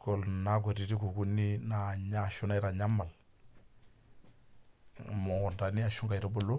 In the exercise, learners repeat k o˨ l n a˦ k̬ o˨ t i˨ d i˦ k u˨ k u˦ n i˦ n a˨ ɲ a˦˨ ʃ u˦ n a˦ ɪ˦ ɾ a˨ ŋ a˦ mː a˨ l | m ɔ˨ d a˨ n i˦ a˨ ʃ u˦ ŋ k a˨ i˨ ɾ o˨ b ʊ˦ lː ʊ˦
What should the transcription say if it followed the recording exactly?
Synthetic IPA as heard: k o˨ l n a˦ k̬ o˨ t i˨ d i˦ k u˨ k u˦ n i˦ n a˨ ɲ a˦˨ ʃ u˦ n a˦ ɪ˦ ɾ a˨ ɲ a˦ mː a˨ l | m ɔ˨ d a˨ n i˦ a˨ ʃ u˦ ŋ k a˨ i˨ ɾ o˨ b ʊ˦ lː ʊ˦